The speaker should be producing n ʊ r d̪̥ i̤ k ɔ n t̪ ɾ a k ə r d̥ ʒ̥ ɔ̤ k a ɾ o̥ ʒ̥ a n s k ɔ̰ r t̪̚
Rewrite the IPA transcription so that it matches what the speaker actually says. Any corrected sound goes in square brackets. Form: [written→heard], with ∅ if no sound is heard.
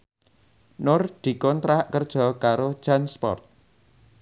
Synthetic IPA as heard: n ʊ r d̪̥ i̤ k ɔ n t̪ ɾ a k ə r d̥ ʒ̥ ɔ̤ k a ɾ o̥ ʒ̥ a n s [k→p] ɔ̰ r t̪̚